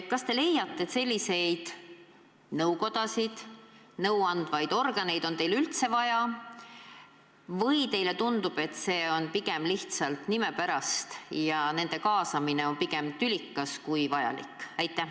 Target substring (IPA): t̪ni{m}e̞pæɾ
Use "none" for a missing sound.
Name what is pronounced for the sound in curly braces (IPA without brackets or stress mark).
m